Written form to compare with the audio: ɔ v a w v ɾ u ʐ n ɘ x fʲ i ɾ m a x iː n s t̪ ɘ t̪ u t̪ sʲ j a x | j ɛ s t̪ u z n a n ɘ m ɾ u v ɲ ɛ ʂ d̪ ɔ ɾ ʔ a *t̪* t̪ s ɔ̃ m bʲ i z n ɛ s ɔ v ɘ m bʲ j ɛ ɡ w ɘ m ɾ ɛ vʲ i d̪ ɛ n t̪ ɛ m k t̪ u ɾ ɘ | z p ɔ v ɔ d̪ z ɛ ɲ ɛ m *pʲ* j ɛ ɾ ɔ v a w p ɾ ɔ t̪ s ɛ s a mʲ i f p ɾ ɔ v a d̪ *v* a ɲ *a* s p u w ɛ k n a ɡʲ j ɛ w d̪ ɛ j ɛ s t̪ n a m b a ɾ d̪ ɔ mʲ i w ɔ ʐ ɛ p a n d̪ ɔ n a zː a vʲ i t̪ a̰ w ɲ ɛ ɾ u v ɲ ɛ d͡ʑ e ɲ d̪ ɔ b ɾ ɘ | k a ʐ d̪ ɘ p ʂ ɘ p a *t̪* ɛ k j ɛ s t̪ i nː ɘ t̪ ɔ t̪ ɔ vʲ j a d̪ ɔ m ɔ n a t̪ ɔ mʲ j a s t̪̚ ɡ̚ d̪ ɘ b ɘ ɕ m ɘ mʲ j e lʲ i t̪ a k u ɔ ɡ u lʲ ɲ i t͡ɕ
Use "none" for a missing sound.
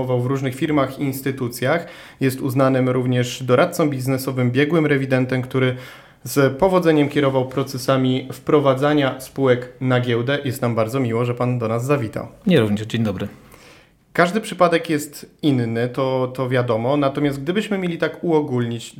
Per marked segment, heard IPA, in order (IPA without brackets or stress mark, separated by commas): t̪, kʲ, z, a, d̪